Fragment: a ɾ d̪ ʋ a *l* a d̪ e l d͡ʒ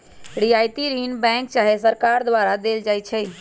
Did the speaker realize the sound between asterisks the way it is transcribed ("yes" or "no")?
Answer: no